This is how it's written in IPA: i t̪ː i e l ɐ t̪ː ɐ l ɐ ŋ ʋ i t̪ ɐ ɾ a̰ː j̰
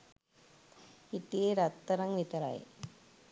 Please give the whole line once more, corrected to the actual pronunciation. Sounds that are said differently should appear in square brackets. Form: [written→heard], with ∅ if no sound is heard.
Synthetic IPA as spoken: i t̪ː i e [l→ɾ] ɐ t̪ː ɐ [l→ɾ] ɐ ŋ ʋ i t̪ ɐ ɾ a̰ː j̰

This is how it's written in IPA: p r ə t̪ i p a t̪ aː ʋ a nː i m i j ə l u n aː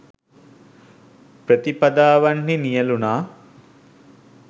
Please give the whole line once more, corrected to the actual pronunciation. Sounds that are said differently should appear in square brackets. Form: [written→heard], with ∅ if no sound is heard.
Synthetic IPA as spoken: p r ə t̪ i p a [t̪→d̪] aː ʋ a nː i [m→n] i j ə l u n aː

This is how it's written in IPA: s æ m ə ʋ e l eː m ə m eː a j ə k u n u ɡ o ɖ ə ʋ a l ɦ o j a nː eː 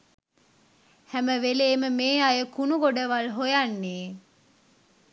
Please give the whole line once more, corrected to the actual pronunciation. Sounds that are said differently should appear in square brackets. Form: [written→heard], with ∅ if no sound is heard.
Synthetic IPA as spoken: [s→h] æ m ə ʋ e l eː m ə m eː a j ə k u n u ɡ o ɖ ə ʋ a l ɦ o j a nː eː

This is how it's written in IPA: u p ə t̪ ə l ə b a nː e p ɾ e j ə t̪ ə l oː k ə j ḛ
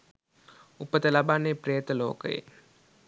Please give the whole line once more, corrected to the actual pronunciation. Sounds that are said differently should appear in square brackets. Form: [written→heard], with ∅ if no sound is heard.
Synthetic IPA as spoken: u p ə t̪ ə l [ə→a] b a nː e p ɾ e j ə t̪ ə l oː k ə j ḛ

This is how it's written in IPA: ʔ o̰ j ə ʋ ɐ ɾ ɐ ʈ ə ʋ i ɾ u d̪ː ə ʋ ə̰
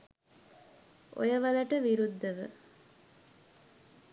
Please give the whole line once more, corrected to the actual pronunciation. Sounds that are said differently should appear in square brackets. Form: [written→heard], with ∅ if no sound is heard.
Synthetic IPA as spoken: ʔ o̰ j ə ʋ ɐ [ɾ→l] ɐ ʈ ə ʋ i ɾ u d̪ː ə ʋ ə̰

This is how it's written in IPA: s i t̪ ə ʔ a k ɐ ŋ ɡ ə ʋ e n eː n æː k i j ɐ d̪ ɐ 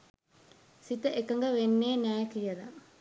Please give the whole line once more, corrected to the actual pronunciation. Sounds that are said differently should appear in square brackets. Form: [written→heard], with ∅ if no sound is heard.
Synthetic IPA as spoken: s i t̪ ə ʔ [a→e] k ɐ ŋ ɡ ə ʋ e [n→nː] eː n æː k i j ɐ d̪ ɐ

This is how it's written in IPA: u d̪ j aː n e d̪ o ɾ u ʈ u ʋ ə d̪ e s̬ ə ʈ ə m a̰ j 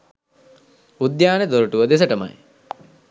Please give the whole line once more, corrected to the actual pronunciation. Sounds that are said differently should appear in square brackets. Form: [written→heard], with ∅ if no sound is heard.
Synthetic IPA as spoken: u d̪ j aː n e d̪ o ɾ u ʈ u ʋ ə d̪ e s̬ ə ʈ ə m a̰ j

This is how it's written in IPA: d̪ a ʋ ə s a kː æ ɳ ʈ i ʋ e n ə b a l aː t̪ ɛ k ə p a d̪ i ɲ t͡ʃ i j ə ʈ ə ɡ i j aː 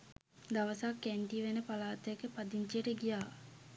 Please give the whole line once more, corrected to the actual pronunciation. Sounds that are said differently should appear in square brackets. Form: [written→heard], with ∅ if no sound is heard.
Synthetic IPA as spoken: d̪ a ʋ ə s a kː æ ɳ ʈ i ʋ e n ə [b→p] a l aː t̪ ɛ k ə p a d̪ i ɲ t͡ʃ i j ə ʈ ə ɡ i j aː

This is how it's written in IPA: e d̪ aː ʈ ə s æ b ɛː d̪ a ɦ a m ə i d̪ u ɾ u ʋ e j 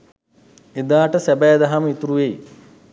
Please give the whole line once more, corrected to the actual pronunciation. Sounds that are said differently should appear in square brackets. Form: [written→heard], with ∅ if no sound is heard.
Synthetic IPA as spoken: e d̪ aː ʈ ə s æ b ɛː d̪ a ɦ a m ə i [d̪→t̪] u ɾ u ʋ e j

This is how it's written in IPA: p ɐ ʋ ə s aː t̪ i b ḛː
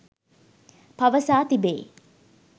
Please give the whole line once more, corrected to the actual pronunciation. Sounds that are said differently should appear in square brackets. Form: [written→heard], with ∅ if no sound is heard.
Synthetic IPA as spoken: p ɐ ʋ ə s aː t̪ i b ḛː

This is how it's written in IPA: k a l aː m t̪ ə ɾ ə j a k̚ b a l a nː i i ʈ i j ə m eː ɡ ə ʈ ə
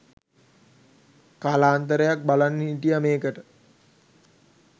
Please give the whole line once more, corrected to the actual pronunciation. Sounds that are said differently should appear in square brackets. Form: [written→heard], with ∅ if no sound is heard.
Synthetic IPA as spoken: k a l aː [m→n] t̪ ə ɾ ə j a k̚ b a l a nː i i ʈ i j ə m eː [ɡ→k] ə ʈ ə

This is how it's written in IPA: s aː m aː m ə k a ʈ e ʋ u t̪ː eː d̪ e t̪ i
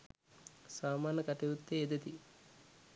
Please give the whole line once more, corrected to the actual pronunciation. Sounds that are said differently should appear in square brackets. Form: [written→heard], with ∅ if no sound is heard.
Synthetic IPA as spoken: s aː m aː [m→n] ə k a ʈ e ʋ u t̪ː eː d̪ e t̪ i

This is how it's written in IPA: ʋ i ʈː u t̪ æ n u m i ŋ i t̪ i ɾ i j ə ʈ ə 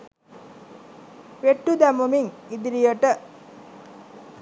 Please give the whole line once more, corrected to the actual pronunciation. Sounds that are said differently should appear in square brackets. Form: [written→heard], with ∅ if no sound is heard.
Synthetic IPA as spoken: ʋ [i→e] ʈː u [t̪→d̪] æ [n→m] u m i ŋ i [t̪→d̪] i ɾ i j ə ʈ ə

